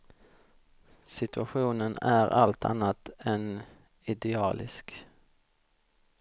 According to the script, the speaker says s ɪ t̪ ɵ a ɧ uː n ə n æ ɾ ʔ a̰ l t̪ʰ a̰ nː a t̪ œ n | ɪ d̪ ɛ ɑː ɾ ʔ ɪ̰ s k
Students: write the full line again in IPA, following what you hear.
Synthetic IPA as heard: s ɪ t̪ ɵ a ɧ uː n ə n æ ɾ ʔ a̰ l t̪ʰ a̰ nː a t̪ ɛ n | ɪ d̪ ɛ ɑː l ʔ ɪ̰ s k